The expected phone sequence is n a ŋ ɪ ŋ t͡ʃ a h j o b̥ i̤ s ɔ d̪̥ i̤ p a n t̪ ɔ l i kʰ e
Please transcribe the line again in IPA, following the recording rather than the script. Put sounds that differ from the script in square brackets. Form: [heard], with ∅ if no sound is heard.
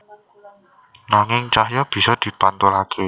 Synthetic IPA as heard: n a ŋ ɪ ŋ t͡ʃ a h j [ɔ] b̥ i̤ s ɔ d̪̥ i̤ p a n t̪ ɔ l [a] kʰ e